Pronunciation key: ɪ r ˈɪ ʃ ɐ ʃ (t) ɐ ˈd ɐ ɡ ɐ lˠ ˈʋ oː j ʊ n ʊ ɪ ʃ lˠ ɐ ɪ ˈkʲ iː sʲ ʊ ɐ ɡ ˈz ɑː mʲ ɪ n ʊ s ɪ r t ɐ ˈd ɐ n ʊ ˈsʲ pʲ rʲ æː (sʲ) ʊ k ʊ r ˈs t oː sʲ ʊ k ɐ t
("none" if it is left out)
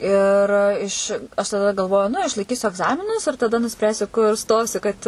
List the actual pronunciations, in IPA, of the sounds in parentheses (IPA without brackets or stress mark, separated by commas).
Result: t, sʲ